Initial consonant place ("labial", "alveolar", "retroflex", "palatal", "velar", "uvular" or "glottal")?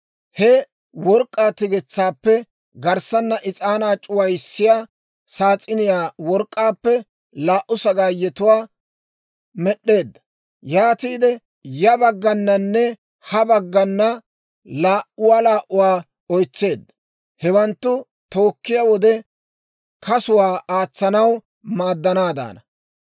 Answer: glottal